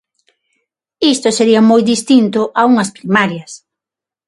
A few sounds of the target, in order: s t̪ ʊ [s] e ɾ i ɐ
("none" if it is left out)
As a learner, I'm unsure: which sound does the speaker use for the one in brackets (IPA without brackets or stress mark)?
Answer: s